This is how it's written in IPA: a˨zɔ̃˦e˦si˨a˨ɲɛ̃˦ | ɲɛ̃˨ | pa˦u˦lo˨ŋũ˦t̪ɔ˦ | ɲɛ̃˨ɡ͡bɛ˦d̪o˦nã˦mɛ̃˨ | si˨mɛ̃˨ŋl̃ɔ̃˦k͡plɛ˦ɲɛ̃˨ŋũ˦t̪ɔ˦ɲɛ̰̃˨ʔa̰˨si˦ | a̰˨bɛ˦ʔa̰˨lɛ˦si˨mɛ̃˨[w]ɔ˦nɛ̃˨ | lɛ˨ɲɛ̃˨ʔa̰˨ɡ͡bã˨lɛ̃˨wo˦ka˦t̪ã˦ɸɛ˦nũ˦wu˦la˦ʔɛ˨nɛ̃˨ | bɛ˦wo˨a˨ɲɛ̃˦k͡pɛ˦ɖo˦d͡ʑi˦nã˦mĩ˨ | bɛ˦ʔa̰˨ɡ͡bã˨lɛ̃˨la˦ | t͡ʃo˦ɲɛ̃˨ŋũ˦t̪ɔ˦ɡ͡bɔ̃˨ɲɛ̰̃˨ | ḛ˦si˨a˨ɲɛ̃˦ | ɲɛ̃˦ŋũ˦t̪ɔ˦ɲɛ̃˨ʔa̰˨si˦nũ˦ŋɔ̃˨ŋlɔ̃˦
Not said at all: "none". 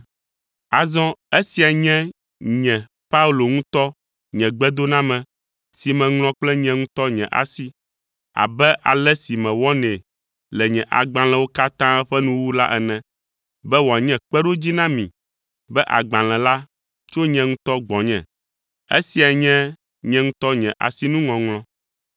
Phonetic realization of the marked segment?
w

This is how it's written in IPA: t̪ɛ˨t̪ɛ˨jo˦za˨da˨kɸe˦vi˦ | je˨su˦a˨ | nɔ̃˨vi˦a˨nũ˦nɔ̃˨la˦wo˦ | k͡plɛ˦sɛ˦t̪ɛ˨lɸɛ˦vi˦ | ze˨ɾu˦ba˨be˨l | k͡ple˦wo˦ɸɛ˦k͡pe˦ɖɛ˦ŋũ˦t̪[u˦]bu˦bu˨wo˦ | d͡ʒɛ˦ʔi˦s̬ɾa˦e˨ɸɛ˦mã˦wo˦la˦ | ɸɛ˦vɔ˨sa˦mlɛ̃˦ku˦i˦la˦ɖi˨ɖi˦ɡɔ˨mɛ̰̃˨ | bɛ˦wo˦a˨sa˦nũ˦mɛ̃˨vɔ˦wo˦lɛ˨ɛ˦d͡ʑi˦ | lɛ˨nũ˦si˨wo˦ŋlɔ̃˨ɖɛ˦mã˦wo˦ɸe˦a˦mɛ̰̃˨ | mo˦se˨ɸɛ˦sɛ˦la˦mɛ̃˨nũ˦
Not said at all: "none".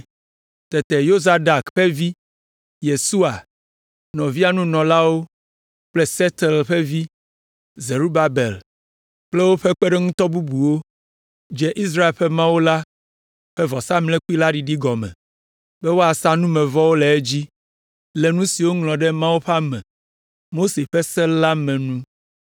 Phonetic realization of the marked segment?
ɔ˦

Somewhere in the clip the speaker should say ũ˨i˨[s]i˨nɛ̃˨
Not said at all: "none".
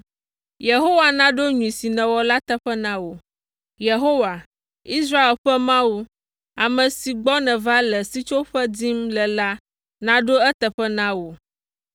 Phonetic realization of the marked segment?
s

